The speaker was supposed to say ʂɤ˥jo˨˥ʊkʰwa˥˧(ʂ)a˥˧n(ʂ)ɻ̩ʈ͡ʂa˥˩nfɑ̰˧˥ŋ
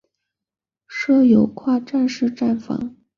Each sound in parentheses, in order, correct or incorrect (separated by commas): incorrect, correct